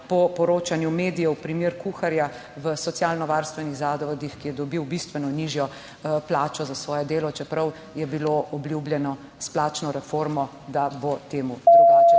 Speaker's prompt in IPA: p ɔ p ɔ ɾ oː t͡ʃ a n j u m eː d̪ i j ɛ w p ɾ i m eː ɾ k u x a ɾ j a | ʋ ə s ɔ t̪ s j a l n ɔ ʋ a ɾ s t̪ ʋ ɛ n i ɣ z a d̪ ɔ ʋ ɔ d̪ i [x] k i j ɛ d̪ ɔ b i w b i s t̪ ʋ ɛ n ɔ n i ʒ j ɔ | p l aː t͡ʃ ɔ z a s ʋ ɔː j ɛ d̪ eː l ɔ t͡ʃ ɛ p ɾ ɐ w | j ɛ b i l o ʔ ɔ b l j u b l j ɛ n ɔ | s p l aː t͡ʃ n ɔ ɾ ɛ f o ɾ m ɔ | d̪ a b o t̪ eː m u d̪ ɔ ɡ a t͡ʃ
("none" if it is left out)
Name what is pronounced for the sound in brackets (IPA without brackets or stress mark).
x